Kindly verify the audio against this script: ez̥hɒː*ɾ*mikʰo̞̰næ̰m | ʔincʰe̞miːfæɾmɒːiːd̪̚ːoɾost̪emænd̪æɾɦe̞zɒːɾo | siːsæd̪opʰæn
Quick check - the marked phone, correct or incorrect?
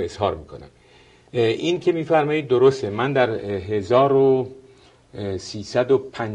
correct